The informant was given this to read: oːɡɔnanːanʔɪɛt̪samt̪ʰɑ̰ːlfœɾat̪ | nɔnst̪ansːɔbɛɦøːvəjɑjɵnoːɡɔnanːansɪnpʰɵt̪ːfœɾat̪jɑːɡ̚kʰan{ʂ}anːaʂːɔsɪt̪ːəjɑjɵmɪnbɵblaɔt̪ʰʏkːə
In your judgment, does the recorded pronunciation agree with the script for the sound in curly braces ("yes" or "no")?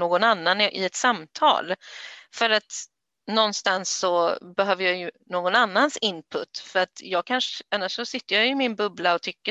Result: yes